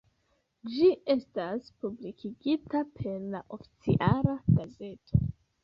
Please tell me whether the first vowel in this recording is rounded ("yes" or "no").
no